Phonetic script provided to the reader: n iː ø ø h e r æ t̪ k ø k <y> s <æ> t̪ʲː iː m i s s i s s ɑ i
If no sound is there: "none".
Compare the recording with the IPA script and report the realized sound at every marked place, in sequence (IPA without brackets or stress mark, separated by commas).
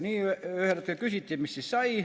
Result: y, i